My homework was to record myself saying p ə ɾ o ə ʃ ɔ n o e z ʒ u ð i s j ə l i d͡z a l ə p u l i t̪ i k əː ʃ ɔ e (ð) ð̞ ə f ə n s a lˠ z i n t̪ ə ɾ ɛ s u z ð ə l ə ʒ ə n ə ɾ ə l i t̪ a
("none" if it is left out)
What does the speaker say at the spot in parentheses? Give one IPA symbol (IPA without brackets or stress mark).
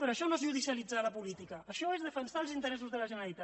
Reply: z